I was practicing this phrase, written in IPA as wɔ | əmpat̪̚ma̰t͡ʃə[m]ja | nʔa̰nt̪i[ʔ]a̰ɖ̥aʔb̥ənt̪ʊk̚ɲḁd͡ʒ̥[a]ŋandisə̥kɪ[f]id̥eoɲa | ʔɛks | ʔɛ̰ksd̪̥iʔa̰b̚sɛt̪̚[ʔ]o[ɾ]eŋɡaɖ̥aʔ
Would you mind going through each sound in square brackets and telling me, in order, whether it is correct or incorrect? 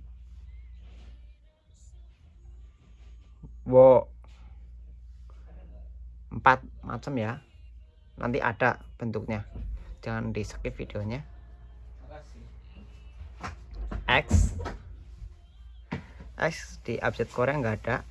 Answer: correct, correct, correct, correct, incorrect, correct

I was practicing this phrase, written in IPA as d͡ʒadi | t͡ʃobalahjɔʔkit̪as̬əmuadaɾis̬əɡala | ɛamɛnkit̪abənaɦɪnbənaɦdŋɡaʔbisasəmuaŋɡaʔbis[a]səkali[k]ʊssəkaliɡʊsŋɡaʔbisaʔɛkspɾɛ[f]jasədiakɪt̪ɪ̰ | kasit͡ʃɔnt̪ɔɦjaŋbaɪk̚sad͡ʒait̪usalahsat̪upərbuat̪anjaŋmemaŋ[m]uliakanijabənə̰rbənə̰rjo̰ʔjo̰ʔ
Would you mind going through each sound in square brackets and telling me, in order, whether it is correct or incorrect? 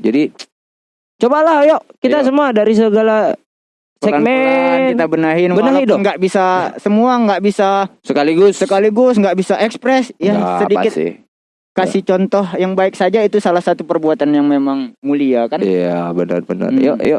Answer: correct, incorrect, incorrect, correct

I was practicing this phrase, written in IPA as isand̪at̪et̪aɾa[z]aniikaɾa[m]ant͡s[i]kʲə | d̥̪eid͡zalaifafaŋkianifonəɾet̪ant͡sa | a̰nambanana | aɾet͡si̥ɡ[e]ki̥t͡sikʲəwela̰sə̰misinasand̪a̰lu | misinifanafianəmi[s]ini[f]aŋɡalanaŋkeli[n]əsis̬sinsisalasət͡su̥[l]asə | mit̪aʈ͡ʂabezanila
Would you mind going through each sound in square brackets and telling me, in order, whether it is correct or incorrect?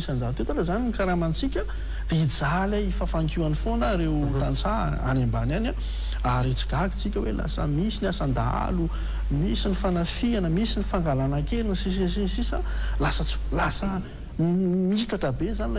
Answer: correct, correct, correct, incorrect, correct, correct, correct, correct

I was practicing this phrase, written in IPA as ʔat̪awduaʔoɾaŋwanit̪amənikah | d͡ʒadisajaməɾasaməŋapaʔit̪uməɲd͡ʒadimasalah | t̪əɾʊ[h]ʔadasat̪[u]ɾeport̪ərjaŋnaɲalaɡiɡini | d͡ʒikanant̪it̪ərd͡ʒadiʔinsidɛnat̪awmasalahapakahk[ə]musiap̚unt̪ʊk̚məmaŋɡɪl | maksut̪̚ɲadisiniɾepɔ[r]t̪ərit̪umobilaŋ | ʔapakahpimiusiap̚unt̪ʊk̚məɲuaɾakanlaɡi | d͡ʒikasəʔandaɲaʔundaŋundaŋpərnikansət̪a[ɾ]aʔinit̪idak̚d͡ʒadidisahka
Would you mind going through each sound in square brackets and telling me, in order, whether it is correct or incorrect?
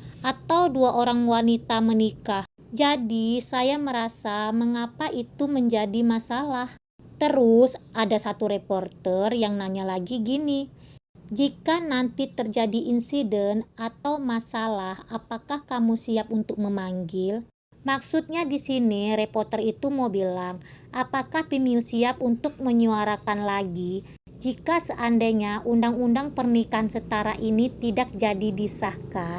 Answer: incorrect, correct, incorrect, correct, correct

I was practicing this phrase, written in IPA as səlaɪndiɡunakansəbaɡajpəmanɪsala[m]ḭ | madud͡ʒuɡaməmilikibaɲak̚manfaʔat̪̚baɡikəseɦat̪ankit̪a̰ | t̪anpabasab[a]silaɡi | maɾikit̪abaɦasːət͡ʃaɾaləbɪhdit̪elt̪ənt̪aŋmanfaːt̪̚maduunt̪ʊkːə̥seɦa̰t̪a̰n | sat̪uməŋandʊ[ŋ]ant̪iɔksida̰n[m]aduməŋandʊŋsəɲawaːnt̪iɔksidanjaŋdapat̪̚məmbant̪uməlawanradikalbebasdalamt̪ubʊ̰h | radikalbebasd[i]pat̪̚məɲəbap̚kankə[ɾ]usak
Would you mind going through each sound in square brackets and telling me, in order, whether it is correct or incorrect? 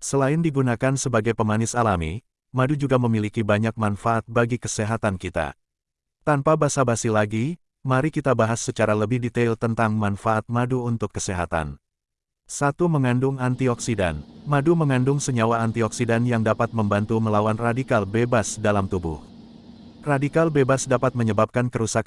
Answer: correct, correct, correct, correct, incorrect, correct

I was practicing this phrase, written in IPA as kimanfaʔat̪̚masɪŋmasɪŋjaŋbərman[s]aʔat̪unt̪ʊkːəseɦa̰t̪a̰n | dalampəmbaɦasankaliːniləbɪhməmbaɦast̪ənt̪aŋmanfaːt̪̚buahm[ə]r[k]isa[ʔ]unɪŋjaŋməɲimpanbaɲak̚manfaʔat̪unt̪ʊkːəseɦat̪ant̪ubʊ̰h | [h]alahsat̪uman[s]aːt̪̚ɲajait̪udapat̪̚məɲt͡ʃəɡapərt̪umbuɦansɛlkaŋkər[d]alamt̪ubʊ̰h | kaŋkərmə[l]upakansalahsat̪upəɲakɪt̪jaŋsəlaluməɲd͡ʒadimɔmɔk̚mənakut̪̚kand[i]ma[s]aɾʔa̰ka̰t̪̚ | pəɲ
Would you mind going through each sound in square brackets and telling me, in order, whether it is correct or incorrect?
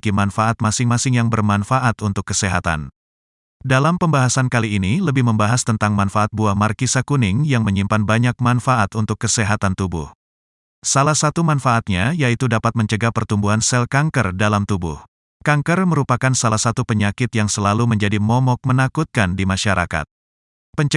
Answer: incorrect, incorrect, correct, incorrect, incorrect, incorrect, correct, incorrect, correct, incorrect

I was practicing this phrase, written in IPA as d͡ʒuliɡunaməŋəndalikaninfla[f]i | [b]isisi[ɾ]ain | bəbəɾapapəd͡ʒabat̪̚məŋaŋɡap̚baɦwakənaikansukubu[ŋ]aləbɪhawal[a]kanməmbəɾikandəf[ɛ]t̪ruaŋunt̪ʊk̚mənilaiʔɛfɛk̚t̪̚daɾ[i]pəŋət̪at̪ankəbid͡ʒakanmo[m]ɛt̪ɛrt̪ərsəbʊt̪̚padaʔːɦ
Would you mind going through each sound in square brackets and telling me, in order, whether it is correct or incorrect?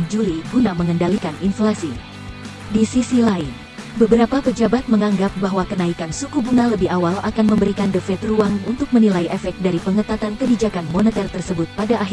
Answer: incorrect, incorrect, incorrect, correct, correct, correct, correct, incorrect

